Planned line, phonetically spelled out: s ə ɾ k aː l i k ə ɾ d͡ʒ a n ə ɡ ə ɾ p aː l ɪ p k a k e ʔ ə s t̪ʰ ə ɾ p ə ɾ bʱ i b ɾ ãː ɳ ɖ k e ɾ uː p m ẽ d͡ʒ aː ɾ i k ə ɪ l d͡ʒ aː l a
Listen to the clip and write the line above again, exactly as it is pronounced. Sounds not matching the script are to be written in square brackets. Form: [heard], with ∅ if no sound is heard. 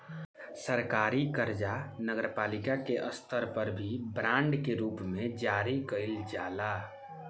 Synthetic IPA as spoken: s ə ɾ k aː [ɾ] i k ə ɾ d͡ʒ a n ə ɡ ə ɾ p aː l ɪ [∅] k a k e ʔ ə s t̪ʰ ə ɾ p ə ɾ bʱ i b ɾ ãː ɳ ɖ k e ɾ uː p m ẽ d͡ʒ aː ɾ i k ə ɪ l d͡ʒ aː l a